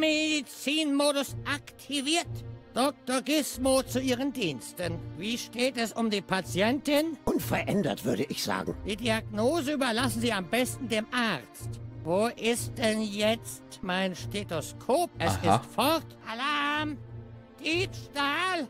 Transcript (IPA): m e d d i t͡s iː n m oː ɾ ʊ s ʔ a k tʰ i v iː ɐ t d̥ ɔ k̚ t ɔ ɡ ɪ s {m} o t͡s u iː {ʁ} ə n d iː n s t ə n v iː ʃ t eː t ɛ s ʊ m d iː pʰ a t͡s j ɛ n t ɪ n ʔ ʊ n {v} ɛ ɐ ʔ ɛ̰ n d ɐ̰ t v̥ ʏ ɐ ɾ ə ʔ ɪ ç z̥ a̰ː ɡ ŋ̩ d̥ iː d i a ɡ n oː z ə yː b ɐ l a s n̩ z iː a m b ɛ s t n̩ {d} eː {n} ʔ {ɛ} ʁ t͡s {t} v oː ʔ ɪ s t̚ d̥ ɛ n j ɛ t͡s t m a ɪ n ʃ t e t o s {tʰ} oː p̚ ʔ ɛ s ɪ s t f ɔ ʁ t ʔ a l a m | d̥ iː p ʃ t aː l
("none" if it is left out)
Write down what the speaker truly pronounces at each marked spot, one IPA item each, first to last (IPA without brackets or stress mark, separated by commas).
m, ʁ, f, d, m, a, t, kʰ